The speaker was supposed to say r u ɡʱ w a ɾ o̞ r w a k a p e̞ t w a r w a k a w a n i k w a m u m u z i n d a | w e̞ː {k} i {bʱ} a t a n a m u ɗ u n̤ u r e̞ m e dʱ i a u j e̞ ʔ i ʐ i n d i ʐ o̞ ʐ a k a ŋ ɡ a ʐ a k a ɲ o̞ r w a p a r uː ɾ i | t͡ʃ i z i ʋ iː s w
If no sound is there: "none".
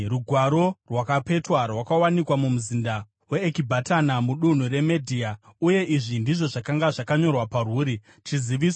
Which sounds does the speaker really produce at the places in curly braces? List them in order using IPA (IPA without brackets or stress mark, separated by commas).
k, bʱ